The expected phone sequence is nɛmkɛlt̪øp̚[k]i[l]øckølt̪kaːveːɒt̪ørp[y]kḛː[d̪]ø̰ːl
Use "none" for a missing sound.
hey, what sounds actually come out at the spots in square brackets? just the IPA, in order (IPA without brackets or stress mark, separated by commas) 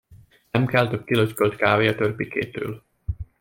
k, l, i, t̪